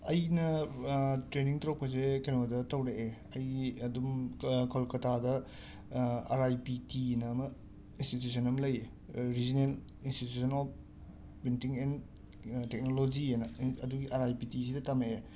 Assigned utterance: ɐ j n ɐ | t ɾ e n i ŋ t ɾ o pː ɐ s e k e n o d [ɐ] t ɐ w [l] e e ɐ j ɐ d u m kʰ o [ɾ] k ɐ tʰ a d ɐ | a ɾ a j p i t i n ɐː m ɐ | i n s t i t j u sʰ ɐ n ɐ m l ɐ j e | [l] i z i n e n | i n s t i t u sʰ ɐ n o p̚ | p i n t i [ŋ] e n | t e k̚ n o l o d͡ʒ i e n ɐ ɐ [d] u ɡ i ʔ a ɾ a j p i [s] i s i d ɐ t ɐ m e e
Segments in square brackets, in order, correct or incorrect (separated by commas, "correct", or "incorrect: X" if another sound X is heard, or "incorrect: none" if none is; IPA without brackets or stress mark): correct, incorrect: ɾ, incorrect: l, incorrect: ɾ, correct, correct, incorrect: t